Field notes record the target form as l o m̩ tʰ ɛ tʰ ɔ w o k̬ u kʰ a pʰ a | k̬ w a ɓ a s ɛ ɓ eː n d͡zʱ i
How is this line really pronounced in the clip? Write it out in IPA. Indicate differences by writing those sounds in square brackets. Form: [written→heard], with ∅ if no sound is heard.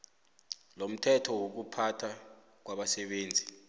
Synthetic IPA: l o m̩ tʰ ɛ tʰ ɔ w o k̬ u [kʰ→pʰ] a [pʰ→tʰ] a | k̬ w a ɓ a s ɛ ɓ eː n d͡zʱ i